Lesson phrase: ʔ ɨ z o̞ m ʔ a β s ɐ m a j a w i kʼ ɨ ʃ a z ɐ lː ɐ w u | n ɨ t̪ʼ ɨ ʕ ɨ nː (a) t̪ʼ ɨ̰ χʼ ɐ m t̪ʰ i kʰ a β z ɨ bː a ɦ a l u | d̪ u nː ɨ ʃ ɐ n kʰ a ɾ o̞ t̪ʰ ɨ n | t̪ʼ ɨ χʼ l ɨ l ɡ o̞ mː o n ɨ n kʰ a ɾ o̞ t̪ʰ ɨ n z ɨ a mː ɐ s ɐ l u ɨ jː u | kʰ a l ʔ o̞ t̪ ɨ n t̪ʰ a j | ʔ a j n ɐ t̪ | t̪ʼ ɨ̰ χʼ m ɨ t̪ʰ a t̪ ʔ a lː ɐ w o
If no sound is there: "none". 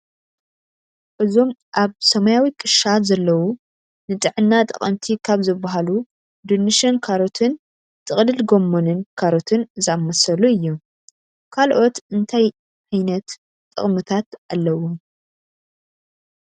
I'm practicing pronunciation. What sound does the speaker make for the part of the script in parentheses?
a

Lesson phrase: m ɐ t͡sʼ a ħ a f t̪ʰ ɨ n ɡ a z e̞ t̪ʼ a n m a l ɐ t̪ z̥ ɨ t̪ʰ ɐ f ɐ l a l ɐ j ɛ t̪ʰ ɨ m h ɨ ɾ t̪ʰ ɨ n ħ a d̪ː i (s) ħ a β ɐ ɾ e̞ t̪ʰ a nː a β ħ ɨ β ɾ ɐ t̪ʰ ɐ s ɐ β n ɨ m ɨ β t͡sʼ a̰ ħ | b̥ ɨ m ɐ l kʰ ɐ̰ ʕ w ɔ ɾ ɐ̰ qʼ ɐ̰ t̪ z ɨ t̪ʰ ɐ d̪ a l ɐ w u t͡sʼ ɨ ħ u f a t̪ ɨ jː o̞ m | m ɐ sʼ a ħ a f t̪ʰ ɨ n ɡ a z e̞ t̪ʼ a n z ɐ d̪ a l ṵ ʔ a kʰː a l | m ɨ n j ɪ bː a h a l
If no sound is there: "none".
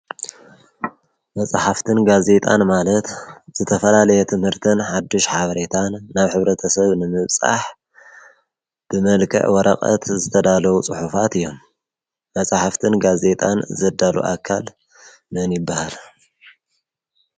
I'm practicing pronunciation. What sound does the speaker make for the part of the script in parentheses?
ʃ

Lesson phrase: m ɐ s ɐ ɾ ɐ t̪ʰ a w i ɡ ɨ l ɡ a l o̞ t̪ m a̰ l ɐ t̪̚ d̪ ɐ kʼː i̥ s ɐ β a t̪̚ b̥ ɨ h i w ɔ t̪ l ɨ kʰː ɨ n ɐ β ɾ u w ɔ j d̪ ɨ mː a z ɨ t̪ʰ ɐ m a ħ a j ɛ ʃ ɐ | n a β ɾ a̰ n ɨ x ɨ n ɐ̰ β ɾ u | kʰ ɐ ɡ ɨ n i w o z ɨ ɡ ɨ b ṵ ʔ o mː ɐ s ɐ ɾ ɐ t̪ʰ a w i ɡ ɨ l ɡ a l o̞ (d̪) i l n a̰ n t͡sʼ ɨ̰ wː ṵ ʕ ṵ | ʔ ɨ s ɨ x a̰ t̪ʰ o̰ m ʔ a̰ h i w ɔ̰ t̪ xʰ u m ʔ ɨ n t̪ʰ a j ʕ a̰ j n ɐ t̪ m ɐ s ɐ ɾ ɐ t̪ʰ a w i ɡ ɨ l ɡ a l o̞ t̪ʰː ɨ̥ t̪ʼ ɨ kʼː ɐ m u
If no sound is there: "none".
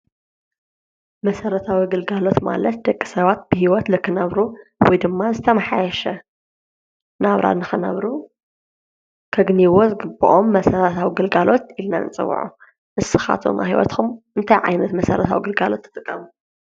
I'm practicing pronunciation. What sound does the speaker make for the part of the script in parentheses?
t̪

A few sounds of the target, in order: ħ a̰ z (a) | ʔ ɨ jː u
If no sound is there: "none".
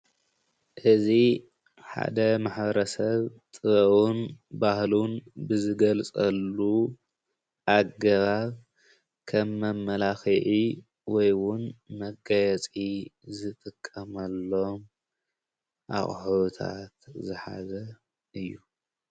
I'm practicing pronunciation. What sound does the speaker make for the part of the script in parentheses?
ɐ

